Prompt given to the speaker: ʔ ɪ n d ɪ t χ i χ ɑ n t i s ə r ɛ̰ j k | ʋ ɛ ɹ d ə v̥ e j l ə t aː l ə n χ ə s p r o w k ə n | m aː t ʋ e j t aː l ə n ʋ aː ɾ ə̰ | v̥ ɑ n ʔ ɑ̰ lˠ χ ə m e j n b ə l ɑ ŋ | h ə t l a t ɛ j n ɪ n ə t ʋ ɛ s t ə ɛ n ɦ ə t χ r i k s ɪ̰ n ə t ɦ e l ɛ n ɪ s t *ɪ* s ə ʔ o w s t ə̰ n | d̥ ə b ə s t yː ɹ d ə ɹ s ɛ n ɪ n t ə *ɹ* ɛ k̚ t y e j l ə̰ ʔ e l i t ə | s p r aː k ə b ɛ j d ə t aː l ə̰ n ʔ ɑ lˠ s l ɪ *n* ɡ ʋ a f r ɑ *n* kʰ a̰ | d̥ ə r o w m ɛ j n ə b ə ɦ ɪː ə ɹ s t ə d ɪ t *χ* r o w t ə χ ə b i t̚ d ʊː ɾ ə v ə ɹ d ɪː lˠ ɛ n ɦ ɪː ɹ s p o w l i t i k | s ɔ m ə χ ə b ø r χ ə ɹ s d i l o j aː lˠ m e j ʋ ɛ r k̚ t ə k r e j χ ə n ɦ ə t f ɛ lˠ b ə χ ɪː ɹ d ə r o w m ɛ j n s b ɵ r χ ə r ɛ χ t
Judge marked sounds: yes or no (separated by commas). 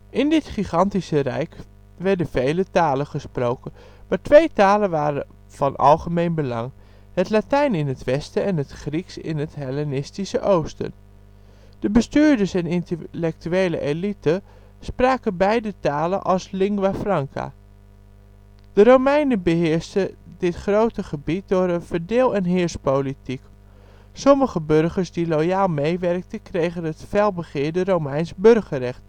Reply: no, no, no, no, yes